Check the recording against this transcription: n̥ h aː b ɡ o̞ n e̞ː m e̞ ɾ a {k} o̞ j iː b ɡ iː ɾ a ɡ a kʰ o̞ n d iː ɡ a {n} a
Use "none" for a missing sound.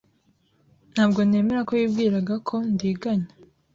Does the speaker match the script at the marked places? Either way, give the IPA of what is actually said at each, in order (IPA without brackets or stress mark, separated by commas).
k, ɲ